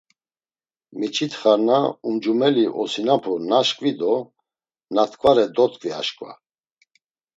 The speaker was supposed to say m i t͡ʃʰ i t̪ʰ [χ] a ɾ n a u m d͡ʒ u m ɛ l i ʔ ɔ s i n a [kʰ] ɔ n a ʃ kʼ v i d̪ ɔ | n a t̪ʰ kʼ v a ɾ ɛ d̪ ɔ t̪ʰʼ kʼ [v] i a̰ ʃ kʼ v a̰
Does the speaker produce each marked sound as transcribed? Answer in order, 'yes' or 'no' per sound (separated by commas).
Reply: yes, no, yes